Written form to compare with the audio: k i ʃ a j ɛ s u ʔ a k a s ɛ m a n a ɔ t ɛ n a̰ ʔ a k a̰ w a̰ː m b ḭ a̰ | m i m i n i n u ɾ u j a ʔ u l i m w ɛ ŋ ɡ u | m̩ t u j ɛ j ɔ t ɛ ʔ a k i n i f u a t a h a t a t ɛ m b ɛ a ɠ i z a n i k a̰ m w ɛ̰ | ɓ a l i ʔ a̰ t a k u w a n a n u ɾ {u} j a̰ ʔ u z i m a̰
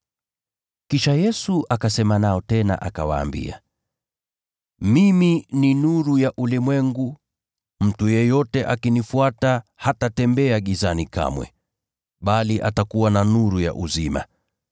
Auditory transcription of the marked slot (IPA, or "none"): u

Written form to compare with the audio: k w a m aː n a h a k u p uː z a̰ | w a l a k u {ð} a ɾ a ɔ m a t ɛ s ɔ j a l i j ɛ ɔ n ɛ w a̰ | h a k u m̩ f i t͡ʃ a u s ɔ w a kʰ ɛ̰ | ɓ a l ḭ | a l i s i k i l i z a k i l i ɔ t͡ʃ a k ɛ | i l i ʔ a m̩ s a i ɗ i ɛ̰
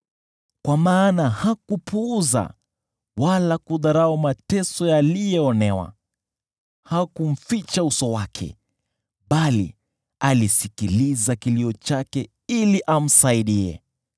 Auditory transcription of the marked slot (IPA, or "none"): ð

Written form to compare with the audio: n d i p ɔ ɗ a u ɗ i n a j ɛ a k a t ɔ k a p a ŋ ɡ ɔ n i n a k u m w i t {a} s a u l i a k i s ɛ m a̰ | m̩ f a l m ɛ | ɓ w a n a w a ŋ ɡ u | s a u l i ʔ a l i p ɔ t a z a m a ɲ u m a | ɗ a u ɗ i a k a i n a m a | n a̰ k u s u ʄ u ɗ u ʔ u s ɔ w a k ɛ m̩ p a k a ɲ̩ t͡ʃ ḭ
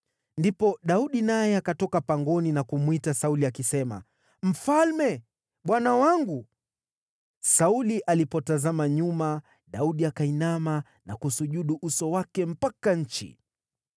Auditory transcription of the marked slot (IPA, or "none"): a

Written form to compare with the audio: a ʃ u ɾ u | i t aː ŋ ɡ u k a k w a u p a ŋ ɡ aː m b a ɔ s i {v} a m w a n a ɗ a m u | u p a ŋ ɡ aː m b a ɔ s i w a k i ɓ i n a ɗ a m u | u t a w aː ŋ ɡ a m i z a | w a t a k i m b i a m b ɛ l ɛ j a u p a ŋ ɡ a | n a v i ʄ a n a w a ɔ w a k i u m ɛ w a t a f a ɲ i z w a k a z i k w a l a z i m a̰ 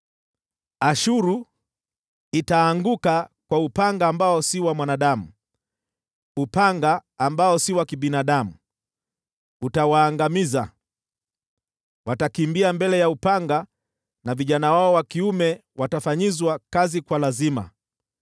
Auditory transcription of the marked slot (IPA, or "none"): w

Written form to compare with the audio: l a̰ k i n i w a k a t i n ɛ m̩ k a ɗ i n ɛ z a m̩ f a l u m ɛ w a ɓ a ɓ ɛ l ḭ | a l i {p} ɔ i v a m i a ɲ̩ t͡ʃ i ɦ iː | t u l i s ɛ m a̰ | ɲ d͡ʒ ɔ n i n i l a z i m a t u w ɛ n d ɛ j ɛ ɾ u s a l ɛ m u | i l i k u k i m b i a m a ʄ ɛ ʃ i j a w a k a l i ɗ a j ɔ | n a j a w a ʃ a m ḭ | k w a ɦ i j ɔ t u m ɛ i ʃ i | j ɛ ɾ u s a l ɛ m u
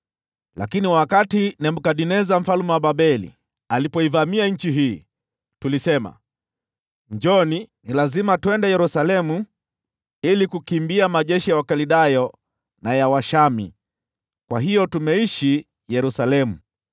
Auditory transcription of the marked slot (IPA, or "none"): p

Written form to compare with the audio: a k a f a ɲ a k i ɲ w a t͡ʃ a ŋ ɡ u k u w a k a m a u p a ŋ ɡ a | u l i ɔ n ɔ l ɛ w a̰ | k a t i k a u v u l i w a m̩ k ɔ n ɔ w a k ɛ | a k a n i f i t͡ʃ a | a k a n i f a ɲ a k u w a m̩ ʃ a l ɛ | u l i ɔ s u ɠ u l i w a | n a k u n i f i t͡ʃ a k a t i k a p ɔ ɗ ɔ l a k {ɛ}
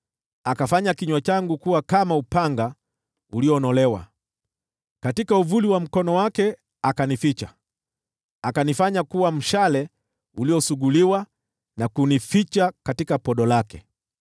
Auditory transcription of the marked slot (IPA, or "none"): ɛ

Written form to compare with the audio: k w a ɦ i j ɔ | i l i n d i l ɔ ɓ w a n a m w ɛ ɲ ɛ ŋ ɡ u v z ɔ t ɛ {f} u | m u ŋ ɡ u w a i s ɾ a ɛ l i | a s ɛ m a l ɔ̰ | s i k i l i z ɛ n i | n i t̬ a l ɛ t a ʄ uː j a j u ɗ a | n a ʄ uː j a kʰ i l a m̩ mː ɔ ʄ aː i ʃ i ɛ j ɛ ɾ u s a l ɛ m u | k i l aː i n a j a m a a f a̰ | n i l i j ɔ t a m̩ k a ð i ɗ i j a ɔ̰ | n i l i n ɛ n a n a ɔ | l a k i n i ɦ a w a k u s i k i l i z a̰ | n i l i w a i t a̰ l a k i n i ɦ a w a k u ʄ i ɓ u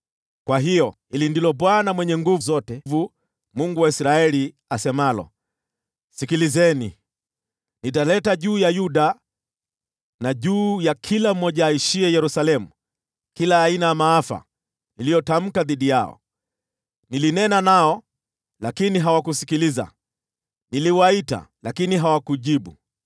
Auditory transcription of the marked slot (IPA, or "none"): v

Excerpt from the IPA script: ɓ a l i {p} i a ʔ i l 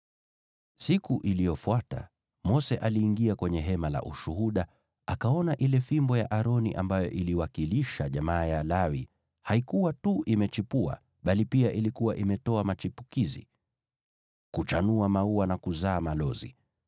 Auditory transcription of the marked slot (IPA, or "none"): p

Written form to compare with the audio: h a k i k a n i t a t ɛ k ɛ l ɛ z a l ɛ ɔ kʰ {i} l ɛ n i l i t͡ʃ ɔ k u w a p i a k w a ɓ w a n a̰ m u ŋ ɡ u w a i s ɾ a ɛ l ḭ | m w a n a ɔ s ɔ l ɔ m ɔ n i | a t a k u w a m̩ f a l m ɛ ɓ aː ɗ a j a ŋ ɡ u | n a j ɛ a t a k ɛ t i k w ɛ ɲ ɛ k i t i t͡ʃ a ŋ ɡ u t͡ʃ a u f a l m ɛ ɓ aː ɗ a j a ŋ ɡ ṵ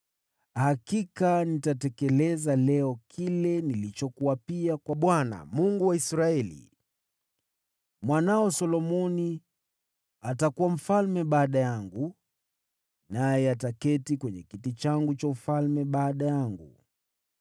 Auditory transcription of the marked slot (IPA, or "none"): i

